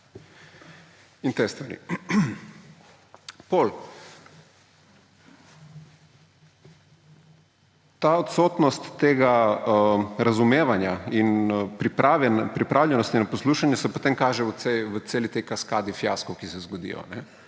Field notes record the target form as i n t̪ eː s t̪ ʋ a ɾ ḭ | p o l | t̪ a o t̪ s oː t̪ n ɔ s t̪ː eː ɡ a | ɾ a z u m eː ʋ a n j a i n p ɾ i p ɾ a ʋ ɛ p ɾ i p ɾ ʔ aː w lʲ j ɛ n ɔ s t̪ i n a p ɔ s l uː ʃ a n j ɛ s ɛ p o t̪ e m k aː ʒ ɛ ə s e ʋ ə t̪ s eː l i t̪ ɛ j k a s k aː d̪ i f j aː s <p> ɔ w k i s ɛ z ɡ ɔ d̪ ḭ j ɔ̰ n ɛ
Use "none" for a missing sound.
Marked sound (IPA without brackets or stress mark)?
k